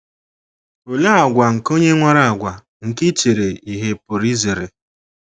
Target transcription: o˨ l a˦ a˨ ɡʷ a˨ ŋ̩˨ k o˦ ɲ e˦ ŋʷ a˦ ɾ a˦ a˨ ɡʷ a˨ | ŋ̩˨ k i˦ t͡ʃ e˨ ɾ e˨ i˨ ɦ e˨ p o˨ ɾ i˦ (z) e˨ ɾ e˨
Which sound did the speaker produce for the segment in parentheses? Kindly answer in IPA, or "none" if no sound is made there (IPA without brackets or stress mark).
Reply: z